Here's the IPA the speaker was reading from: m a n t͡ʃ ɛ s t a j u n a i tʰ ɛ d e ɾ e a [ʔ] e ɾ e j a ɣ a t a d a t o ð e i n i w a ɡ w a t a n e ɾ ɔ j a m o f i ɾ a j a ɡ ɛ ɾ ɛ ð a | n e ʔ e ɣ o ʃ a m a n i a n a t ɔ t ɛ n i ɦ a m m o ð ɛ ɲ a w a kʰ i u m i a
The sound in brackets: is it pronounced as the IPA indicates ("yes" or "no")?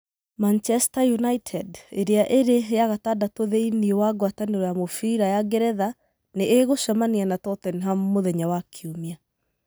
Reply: yes